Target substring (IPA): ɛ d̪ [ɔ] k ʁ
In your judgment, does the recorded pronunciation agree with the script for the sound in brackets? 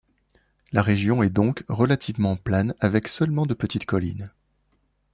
no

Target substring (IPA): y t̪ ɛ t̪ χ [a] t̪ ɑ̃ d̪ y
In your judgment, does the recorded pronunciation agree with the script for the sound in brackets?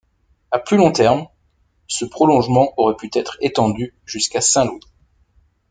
no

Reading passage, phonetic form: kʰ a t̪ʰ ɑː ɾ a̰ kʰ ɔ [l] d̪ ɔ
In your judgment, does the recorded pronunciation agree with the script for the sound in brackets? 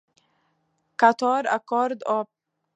no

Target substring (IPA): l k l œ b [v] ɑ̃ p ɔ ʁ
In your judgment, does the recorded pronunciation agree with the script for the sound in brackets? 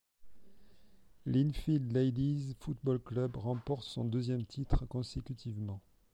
no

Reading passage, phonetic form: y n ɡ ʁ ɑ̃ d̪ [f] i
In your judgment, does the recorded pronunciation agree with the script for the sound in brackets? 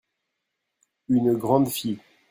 yes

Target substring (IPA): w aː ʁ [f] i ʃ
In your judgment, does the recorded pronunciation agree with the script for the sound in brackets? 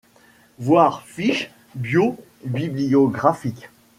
yes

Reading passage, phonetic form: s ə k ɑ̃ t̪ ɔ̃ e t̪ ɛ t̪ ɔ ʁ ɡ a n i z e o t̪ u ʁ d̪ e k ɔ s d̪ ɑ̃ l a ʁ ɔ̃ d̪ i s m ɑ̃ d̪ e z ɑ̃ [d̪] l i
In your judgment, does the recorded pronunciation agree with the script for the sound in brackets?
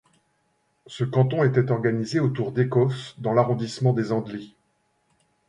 yes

